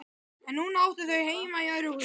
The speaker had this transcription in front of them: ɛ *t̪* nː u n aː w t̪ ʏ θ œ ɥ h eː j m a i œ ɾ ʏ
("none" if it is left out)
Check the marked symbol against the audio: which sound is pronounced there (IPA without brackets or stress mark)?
none